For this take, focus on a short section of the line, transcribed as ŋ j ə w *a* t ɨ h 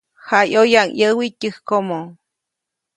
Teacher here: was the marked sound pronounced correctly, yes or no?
no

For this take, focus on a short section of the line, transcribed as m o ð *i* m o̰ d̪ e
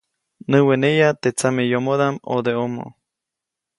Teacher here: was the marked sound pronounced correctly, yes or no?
no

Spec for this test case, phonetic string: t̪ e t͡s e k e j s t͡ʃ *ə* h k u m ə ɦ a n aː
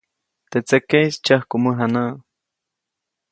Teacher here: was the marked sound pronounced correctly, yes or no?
no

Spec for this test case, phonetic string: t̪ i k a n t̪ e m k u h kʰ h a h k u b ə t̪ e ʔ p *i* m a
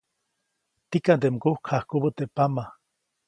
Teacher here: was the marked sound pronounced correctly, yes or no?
no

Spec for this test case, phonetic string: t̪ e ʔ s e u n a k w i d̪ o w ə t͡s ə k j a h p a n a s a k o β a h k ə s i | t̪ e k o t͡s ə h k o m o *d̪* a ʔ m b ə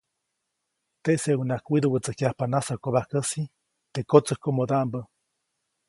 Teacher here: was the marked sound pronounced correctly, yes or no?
yes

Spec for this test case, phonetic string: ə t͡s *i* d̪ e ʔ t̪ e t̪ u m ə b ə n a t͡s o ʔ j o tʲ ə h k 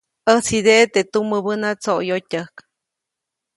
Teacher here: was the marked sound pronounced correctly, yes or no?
yes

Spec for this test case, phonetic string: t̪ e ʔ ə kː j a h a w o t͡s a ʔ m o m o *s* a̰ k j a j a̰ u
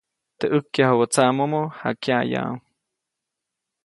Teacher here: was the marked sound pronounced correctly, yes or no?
no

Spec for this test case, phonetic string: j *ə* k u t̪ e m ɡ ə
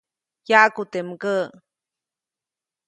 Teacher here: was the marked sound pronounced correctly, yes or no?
no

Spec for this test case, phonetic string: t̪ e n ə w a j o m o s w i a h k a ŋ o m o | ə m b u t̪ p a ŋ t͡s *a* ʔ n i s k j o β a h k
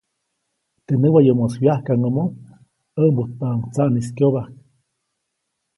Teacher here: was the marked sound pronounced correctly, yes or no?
yes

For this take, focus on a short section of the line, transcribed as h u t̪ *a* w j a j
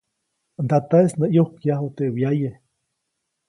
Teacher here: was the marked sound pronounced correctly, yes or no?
no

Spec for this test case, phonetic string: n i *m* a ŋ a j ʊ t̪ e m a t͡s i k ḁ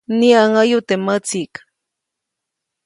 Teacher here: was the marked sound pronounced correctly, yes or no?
no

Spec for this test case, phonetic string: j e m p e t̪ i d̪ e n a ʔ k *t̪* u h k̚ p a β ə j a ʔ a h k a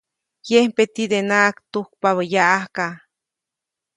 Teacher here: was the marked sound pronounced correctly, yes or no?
yes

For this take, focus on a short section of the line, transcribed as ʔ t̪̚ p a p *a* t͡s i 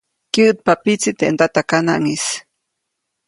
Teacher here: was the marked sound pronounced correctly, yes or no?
no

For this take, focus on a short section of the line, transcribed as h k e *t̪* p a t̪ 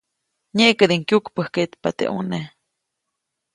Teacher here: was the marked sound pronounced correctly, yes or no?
yes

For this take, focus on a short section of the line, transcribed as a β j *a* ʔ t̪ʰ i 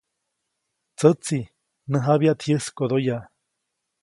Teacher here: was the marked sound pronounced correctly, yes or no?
yes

